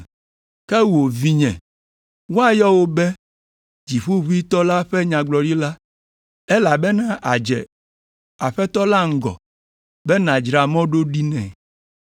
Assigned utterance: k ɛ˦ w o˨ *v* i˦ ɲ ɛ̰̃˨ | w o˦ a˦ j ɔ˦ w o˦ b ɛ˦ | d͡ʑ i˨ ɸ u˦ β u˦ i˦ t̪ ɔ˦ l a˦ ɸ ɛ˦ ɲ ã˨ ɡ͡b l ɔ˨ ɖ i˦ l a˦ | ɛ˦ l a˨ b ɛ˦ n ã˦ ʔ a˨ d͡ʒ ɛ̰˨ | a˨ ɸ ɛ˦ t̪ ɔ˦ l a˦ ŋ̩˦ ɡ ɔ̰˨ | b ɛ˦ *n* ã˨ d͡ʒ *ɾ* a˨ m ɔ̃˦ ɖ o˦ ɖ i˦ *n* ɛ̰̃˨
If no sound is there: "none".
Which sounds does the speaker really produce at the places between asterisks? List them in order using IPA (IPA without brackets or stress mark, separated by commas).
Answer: v, n, ɾ, n